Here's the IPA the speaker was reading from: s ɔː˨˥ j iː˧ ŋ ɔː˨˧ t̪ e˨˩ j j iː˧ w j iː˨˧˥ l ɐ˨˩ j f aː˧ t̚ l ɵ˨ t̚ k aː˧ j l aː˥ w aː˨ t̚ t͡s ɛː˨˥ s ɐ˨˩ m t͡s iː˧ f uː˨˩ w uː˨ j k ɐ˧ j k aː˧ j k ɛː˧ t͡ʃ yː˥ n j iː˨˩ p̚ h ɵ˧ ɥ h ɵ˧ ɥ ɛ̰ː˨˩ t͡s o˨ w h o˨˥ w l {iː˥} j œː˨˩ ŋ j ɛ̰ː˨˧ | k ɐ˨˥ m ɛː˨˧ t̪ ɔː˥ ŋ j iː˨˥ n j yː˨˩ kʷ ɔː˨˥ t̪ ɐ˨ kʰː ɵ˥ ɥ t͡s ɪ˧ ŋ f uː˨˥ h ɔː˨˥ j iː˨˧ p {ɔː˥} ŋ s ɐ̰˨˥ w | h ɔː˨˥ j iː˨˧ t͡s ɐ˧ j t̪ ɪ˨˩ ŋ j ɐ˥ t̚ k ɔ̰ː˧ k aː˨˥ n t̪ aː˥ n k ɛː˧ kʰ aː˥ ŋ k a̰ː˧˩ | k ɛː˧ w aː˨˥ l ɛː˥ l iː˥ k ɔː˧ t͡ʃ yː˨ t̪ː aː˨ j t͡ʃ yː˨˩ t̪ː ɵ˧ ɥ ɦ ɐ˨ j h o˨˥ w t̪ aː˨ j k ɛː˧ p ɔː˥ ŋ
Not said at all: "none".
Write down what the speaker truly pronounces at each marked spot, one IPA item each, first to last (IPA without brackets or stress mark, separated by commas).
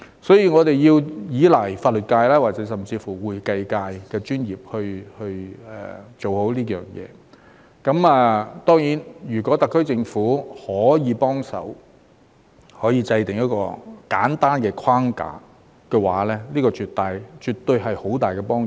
iː˥, ɔː˥